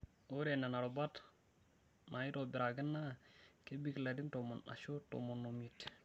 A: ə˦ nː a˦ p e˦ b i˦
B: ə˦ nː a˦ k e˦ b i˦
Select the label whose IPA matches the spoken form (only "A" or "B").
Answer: B